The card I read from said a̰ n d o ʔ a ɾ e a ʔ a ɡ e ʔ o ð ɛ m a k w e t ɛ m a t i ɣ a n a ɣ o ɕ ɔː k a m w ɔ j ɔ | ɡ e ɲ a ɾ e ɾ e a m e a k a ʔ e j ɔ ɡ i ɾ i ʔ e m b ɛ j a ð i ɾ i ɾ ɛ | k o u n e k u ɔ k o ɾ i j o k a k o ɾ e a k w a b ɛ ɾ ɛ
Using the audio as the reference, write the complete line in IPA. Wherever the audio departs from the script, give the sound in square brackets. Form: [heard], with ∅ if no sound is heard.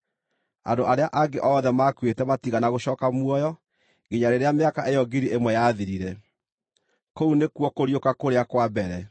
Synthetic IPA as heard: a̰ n d o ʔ a ɾ e a ʔ a ɡ e ʔ [ɔ] ð ɛ m a k w e t ɛ m a t i ɣ a n a ɣ o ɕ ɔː k a m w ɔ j ɔ | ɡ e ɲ a ɾ e ɾ e a m e a k a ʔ e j ɔ ɡ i ɾ i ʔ e m [w] ɛ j a ð i ɾ i ɾ ɛ | k o u n e k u ɔ k o ɾ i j o k a k o ɾ e a k w a b ɛ ɾ ɛ